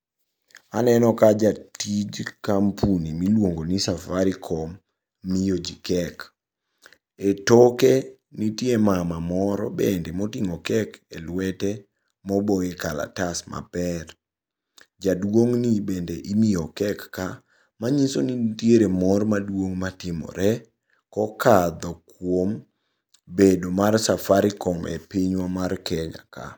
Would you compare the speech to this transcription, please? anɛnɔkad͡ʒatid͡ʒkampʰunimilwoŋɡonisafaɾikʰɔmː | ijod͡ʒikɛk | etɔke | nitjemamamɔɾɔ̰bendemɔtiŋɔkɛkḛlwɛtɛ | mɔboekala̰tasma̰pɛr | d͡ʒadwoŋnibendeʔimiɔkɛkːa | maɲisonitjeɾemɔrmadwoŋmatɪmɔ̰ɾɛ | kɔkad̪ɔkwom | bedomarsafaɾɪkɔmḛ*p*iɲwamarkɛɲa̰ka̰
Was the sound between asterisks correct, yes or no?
yes